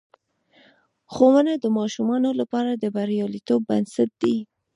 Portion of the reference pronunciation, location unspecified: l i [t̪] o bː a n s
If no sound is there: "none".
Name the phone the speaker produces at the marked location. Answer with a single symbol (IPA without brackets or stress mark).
t̪